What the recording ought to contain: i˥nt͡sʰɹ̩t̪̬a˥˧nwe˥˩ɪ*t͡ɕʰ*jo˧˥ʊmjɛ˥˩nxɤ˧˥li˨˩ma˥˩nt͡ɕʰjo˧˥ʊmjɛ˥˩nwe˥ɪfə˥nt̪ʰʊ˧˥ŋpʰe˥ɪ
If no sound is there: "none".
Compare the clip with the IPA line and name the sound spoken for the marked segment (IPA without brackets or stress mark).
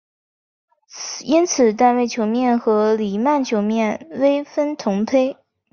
t͡ɕʰ